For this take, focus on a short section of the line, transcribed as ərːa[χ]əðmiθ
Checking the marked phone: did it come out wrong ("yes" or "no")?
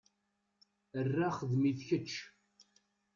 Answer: no